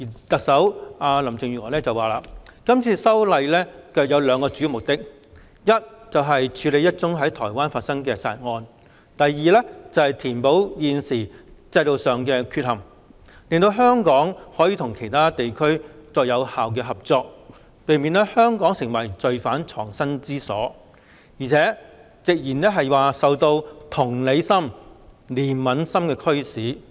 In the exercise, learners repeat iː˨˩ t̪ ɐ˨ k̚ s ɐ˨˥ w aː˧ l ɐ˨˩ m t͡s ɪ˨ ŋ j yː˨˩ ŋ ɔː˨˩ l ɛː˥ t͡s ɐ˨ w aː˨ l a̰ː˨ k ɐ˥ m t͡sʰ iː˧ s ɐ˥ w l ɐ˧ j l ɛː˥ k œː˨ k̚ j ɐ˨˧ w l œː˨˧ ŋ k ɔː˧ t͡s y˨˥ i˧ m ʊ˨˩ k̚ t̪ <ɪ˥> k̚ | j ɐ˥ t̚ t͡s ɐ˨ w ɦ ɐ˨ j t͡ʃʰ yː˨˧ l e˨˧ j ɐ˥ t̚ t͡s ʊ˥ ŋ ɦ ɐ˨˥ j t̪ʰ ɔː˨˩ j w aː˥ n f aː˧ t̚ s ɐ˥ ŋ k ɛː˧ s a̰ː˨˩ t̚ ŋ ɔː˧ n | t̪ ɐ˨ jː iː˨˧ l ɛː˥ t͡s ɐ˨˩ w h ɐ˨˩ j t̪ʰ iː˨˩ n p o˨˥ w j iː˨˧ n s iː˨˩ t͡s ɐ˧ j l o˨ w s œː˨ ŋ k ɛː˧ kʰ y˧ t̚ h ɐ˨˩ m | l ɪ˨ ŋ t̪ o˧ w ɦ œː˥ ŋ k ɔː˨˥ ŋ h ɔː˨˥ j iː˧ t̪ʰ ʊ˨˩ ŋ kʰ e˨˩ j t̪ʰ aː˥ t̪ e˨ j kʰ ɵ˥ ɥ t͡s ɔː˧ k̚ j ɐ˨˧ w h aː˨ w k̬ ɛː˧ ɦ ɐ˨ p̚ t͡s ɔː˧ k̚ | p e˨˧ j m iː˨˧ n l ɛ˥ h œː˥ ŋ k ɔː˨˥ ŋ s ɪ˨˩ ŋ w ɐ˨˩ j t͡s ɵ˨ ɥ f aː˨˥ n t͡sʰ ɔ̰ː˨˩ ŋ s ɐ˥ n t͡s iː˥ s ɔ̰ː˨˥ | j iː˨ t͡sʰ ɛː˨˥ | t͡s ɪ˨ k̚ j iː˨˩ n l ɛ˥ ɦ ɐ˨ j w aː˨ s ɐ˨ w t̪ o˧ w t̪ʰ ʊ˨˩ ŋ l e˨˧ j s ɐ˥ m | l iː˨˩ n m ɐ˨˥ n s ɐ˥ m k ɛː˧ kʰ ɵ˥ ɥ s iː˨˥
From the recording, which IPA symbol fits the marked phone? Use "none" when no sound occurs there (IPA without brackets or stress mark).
ɪ˥